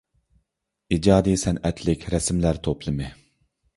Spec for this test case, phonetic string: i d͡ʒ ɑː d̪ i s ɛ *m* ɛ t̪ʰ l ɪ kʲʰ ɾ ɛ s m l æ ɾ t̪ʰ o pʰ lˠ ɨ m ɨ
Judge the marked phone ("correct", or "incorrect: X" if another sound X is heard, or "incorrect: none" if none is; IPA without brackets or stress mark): incorrect: n